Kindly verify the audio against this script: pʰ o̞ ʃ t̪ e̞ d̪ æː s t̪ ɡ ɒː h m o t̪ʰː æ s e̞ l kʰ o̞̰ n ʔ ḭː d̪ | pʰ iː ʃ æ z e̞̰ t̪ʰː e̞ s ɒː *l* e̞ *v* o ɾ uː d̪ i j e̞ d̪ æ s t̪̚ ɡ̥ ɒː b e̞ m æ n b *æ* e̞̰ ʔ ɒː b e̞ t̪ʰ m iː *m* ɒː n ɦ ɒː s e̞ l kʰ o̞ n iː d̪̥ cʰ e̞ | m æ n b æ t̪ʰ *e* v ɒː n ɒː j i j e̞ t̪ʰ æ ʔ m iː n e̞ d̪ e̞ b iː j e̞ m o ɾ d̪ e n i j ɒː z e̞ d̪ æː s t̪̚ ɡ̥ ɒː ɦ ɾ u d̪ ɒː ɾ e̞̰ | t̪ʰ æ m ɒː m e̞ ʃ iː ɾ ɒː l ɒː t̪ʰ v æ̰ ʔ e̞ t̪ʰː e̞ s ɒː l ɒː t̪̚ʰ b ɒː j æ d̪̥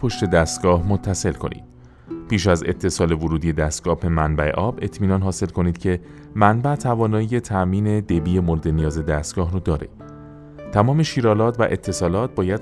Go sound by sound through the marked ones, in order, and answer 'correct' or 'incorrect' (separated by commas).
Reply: correct, correct, correct, incorrect, incorrect